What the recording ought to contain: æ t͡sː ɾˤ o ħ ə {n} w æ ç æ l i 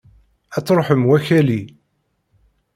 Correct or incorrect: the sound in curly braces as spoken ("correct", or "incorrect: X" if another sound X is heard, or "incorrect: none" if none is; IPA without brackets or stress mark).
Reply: incorrect: m